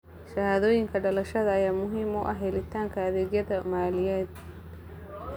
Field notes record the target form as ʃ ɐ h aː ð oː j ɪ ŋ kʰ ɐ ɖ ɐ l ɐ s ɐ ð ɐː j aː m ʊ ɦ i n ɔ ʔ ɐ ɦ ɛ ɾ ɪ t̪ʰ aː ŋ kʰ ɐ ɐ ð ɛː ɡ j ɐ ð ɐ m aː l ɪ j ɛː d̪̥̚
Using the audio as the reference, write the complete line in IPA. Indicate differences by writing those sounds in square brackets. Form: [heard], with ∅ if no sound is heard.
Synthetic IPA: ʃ ɐ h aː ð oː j ɪ ŋ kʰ ɐ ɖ ɐ l ɐ [ʃ] ɐ ð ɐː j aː m ʊ ɦ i [m] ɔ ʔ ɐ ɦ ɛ [l] ɪ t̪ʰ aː ŋ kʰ ɐ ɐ ð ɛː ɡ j ɐ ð ɐ m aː l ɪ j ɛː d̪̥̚

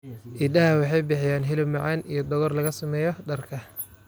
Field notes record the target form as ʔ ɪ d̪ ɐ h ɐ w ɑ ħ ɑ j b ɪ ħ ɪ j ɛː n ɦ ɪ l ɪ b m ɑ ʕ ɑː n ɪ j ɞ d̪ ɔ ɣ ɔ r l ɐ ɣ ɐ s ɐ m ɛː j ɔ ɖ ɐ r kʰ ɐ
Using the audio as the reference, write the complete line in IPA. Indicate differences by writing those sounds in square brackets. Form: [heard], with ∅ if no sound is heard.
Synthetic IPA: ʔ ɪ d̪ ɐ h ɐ w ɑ ħ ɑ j b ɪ ħ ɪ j [aː] n ɦ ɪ l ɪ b m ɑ ʕ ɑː n [i] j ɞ d̪ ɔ ɣ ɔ r l ɐ ɣ ɐ s ɐ m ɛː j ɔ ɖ ɐ r kʰ ɐ

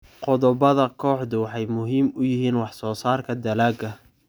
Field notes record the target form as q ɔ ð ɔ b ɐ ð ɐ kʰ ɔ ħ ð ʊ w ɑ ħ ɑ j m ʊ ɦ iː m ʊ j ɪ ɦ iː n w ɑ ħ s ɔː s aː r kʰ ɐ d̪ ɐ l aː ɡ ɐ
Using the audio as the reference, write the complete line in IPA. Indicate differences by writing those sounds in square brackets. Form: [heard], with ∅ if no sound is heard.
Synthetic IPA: q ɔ ð ɔ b ɐ ð ɐ kʰ [ɔː] ħ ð ʊ w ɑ ħ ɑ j m ʊ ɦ iː m ʊ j ɪ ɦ iː n w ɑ ħ s ɔː s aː r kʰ ɐ d̪ ɐ l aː ɡ ɐ

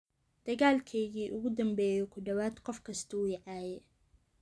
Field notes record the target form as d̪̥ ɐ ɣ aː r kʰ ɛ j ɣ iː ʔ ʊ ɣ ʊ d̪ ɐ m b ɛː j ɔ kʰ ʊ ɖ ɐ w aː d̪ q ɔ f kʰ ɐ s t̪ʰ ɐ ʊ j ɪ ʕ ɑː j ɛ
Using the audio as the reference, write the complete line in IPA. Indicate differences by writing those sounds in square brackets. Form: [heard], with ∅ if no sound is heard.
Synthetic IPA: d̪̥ ɐ ɣ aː [l] kʰ ɛ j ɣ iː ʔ ʊ ɣ ʊ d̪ ɐ m b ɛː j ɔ kʰ ʊ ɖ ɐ w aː d̪ q ɔ f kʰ ɐ s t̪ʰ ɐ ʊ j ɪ ʕ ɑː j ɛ

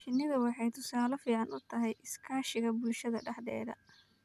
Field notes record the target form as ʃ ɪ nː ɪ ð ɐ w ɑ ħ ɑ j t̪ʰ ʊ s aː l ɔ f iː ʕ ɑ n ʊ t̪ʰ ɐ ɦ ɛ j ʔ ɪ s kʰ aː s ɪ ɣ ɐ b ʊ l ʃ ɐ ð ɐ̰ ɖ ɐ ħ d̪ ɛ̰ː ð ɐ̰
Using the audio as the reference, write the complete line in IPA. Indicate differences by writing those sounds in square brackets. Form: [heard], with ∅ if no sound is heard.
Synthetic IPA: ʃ ɪ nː ɪ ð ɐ w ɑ ħ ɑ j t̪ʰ ʊ s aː l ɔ f iː ʕ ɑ n ʊ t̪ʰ ɐ ɦ ɛ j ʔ ɪ s kʰ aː [ʃ] ɪ ɣ ɐ b ʊ l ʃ ɐ ð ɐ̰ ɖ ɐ ħ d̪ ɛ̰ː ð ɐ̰

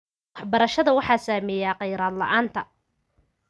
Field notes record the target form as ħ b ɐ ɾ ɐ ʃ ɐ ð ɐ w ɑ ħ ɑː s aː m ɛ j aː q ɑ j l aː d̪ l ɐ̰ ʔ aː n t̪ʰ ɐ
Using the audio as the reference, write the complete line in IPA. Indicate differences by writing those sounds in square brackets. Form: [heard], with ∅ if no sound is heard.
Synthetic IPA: ħ b ɐ ɾ ɐ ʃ ɐ ð ɐ w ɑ ħ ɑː s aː m ɛ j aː q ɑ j [ɾ] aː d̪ l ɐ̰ ʔ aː n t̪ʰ ɐ

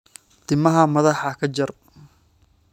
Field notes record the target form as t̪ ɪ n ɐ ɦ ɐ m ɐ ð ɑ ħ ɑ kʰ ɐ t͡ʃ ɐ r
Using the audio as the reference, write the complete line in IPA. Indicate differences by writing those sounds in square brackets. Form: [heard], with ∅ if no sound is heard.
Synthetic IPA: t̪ ɪ [m] ɐ ɦ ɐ m ɐ ð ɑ ħ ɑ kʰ ɐ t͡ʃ ɐ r

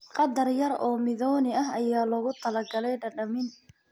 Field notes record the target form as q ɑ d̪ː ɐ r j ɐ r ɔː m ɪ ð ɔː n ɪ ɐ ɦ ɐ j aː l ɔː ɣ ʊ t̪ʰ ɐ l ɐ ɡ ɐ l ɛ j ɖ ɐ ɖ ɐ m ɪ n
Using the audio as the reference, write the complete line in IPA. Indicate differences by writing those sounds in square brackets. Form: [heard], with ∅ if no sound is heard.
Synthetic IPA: q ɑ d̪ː ɐ r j ɐ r ɔː m ɪ ð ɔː n ɪ ɐ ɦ ɐ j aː l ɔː ɣ ʊ t̪ʰ ɐ l ɐ ɡ ɐ l ɛ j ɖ ɐ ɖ ɐ m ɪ n

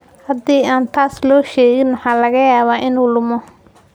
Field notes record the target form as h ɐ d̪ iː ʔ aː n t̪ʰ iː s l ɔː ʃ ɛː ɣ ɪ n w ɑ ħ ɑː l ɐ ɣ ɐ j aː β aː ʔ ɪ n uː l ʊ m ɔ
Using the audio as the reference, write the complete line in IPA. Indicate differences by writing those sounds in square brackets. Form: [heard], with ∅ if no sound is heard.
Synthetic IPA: h ɐ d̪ iː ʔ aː n t̪ʰ [aː] s l ɔː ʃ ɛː ɣ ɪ n w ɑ ħ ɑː l ɐ ɣ ɐ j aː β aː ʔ ɪ n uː l ʊ m ɔ

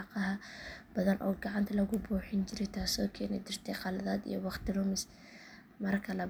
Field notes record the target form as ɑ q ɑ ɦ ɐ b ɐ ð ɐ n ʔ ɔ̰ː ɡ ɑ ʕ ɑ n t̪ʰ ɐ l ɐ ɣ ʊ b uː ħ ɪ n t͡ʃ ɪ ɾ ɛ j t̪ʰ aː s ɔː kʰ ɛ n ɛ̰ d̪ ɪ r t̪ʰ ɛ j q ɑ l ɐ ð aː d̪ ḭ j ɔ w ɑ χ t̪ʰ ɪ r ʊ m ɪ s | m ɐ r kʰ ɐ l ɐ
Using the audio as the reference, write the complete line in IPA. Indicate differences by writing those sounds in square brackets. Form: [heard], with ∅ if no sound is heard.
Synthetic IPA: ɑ q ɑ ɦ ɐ b ɐ ð ɐ n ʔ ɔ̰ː ɡ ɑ ʕ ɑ n t̪ʰ ɐ l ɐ ɣ ʊ b uː ħ ɪ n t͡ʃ ɪ ɾ ɛ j t̪ʰ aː s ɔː kʰ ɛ n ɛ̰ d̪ ɪ r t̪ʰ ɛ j q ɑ l ɐ ð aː d̪ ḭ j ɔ w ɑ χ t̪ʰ ɪ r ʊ m ɪ s | m ɐ r kʰ ɐ l ɐ

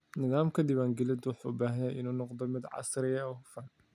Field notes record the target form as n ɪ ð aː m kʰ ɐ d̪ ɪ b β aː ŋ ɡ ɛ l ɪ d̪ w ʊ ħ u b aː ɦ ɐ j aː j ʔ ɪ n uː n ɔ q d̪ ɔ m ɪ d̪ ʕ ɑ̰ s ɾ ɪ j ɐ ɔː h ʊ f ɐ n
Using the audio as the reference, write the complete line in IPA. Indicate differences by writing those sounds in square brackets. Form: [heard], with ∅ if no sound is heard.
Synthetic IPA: n ɪ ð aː m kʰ ɐ d̪ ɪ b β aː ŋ ɡ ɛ l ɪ d̪ w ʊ ħ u b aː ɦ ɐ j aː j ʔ ɪ n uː n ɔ q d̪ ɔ m ɪ d̪ ʕ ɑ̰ s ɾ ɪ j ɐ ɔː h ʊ f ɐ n

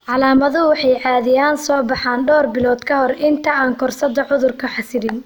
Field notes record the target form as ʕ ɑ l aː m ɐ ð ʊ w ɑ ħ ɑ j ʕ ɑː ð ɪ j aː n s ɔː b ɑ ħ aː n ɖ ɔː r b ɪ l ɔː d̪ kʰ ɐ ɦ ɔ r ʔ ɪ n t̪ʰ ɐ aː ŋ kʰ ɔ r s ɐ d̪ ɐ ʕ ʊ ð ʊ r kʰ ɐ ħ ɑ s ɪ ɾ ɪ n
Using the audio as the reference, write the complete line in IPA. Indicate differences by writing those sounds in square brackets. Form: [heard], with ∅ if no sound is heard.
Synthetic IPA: ʕ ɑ l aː m ɐ ð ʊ w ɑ ħ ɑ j ʕ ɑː ð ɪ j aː n s ɔː b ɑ ħ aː n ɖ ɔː r b ɪ l ɔː d̪ kʰ ɐ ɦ ɔ r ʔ ɪ n t̪ʰ ɐ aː ŋ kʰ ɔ r s ɐ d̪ ɐ ʕ ʊ ð ʊ r kʰ ɐ ħ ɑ s ɪ ɾ ɪ n

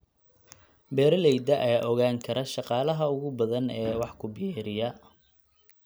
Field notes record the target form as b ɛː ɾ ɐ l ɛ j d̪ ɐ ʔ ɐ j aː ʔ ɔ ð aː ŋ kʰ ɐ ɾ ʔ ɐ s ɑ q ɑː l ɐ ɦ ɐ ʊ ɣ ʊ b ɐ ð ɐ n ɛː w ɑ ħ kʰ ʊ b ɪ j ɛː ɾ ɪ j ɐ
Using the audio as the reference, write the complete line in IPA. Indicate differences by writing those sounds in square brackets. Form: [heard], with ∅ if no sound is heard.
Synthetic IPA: b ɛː ɾ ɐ l ɛ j d̪ ɐ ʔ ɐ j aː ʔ ɔ [ɣ] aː ŋ kʰ ɐ ɾ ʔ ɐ [ʃ] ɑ q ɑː l ɐ ɦ ɐ ʊ ɣ ʊ b ɐ ð ɐ n ɛː w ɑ ħ kʰ ʊ b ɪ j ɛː ɾ ɪ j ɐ

